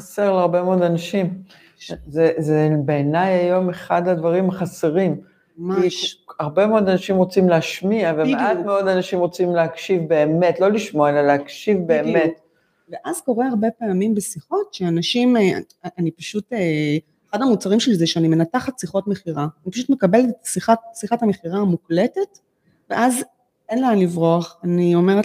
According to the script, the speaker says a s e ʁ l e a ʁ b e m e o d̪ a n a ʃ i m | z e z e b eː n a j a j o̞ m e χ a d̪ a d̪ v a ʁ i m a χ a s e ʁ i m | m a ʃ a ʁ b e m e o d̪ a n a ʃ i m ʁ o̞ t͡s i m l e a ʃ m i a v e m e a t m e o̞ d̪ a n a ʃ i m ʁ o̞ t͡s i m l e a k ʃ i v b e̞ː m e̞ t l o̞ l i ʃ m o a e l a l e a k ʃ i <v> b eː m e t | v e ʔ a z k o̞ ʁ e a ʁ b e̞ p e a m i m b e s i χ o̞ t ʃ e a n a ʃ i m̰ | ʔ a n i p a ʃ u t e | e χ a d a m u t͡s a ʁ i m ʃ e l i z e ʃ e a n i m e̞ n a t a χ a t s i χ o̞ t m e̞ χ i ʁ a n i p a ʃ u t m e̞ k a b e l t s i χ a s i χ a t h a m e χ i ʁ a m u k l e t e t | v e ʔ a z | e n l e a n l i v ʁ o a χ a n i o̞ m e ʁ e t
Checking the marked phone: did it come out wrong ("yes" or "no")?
no